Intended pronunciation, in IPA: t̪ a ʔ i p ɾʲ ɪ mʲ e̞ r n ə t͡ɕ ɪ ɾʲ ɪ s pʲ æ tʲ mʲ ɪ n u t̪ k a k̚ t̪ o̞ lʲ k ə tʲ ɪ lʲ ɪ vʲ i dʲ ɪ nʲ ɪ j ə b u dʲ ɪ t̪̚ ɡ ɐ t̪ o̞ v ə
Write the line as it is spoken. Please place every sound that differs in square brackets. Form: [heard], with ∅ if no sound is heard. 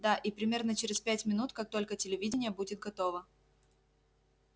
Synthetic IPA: [d̪] a ʔ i p ɾʲ ɪ mʲ e̞ r n ə t͡ɕ ɪ ɾʲ ɪ s pʲ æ tʲ mʲ ɪ n u t̪ k a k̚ t̪ o̞ lʲ k ə tʲ ɪ lʲ ɪ vʲ i dʲ ɪ nʲ ɪ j ə b u dʲ ɪ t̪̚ ɡ ɐ t̪ o̞ v ə